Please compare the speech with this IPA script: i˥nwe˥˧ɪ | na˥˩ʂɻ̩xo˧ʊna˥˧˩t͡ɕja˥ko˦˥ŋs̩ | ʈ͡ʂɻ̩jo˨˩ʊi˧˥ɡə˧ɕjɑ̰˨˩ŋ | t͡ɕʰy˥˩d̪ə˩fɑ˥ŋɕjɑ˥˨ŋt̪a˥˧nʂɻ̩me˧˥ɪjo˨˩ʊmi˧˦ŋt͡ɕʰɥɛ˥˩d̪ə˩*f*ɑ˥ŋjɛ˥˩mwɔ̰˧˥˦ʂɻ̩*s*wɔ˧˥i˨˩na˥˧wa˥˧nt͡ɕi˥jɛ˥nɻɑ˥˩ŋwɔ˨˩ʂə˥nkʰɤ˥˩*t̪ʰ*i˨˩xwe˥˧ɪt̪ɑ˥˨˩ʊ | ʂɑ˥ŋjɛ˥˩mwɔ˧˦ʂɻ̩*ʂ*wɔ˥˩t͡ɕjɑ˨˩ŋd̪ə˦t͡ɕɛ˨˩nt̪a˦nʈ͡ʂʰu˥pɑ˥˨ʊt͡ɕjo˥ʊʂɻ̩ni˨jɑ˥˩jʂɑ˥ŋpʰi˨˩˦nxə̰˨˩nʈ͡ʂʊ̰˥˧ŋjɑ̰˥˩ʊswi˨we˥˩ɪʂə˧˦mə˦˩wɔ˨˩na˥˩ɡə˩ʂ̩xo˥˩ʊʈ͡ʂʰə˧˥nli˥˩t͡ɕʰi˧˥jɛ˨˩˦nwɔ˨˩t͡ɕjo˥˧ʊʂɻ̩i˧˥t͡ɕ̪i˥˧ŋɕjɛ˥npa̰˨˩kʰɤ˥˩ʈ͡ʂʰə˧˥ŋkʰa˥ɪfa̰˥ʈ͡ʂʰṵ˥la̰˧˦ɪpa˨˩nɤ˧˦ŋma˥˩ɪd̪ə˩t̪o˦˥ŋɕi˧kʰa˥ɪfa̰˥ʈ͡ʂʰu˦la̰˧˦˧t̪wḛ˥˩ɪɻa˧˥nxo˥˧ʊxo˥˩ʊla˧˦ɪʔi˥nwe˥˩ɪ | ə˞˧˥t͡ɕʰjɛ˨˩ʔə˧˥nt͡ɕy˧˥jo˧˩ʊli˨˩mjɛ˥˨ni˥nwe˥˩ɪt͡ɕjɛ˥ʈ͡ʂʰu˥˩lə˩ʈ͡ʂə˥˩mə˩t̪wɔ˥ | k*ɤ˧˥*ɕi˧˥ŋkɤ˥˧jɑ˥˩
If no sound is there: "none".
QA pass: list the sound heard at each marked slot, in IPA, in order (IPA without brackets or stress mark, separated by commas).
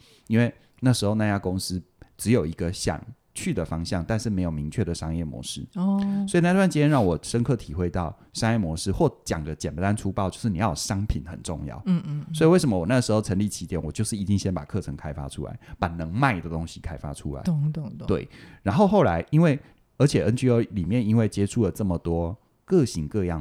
ʂ, s, t̪ʰ, x, ɤ˥˨